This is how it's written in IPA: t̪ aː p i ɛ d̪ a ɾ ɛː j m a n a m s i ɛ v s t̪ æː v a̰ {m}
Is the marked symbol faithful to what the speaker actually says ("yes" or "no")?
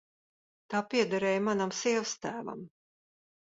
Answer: yes